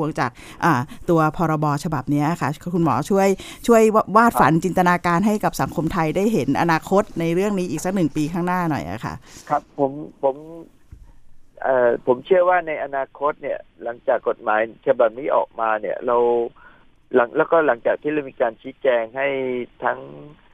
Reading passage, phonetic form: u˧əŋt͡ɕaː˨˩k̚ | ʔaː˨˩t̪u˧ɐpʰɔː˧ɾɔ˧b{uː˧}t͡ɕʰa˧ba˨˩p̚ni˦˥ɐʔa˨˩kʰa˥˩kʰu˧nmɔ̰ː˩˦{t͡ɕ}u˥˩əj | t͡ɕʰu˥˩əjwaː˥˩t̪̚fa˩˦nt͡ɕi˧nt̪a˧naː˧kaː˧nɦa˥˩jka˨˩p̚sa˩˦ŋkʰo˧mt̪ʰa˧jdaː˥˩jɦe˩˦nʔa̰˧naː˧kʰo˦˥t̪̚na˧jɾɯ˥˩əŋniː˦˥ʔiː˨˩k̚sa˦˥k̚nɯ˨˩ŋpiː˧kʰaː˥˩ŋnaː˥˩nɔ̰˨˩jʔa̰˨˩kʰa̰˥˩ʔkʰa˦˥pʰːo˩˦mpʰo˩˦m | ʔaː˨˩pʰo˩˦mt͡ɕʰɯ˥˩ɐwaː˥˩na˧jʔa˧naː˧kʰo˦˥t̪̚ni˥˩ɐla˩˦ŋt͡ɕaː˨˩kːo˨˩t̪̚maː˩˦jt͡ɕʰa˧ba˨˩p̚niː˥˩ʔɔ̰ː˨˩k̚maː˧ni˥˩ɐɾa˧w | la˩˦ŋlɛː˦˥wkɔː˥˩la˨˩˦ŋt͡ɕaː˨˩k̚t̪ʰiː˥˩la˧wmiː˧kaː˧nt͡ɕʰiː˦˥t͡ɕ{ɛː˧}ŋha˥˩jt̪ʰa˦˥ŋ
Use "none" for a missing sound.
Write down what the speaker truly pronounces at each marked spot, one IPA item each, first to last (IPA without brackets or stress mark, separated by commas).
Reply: ɔː˧, t͡ɕʰ, ɛː˧